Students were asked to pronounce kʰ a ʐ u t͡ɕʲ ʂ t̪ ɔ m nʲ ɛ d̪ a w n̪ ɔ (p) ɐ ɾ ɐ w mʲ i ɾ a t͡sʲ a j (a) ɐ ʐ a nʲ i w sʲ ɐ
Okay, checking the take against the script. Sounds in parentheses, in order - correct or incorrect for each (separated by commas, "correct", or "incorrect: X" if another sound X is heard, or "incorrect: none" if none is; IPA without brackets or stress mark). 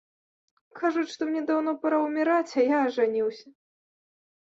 correct, correct